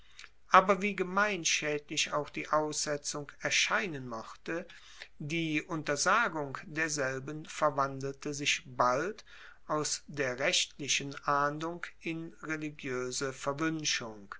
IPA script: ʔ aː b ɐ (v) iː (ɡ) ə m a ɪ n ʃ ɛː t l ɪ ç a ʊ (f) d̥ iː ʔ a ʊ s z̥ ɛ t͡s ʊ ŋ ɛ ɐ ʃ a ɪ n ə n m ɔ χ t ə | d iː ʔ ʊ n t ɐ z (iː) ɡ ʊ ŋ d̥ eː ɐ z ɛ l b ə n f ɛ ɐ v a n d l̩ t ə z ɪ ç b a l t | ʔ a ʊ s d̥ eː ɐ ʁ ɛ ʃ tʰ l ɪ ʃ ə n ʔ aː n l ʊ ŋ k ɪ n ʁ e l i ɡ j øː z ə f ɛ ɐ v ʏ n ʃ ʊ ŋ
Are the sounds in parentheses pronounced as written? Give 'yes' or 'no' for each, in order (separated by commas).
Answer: yes, yes, no, no